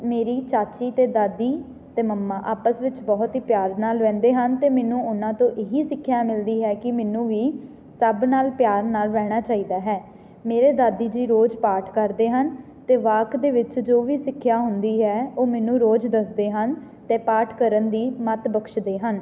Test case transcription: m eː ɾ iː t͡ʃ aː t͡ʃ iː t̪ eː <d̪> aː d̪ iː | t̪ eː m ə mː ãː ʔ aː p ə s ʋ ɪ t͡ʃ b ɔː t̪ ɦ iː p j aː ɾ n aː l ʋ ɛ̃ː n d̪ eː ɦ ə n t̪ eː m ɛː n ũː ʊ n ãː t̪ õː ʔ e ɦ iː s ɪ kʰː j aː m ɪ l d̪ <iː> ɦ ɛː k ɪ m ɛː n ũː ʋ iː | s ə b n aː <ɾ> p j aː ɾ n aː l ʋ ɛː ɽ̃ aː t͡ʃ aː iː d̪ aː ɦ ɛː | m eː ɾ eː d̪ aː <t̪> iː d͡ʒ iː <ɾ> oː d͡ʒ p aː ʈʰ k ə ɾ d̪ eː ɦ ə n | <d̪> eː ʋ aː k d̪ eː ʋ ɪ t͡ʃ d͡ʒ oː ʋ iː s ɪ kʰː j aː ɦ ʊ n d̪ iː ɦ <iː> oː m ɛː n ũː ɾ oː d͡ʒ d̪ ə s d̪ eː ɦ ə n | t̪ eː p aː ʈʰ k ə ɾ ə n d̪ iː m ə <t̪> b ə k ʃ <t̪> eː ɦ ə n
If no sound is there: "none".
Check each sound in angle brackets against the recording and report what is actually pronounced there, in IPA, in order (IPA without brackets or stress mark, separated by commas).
d̪, iː, l, d̪, ɾ, t̪, ɛː, t̪, d̪